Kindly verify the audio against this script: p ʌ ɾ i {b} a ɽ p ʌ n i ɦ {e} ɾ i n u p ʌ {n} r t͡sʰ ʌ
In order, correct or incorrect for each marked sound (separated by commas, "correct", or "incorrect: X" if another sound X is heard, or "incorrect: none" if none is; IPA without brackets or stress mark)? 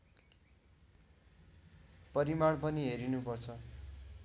incorrect: m, correct, incorrect: none